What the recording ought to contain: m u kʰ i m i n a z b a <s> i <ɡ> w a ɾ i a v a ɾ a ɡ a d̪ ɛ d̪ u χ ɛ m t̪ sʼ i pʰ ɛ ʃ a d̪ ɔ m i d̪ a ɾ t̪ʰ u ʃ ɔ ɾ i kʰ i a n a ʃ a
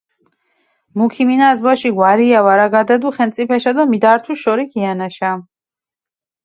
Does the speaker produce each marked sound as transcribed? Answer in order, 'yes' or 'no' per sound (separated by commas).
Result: no, yes